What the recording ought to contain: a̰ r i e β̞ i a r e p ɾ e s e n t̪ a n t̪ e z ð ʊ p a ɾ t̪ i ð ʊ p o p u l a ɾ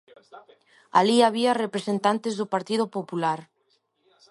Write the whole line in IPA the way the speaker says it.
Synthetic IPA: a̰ l i a β̞ i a r e p ɾ e s e n t̪ a n t̪ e z ð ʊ p a ɾ t̪ i ð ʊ p o p u l a ɾ

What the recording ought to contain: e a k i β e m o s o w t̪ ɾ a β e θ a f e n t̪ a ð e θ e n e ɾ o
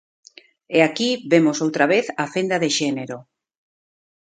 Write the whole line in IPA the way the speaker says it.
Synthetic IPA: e a k i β e m o s o w t̪ ɾ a β e θ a f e n d̪ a ð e ʃ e n e ɾ o

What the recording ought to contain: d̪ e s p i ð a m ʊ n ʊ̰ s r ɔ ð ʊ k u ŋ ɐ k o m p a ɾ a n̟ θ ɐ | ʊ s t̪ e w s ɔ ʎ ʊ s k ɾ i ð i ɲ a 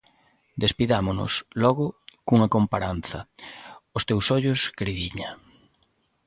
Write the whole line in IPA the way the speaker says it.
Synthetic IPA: d̪ e s p i ð a m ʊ n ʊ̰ s l ɔ ɣ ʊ k u ŋ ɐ k o m p a ɾ a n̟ θ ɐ | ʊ s t̪ e w s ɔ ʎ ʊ s k ɾ i ð i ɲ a

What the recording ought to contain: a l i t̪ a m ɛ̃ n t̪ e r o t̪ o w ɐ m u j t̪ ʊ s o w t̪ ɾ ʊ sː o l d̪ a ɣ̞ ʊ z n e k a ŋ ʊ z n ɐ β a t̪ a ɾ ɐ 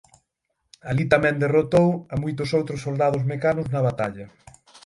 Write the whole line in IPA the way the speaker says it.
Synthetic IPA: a l i t̪ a m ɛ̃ n d̪ e r o t̪ o w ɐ m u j t̪ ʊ s o w t̪ ɾ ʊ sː o l d̪ a ð̞ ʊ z m e k a n ʊ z n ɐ β a t̪ a ʎ ɐ

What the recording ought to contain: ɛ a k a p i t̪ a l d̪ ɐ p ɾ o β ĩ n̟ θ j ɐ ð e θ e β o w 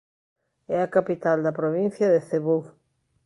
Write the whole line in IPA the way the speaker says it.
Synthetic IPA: ɛ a k a p i t̪ a l d̪ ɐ p ɾ o β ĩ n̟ θ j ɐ ð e θ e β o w

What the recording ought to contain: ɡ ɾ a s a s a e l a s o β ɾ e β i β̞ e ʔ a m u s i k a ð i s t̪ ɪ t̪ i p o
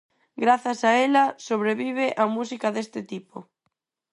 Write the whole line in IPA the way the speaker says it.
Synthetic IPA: ɡ ɾ a θ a s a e l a s o β ɾ e β i β̞ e ʔ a m u s i k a ð e s t̪ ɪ t̪ i p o

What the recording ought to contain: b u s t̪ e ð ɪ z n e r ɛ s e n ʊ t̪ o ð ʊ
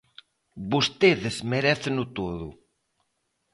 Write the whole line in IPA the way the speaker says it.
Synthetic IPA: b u s t̪ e ð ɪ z m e ɾ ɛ θ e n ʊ t̪ o ð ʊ

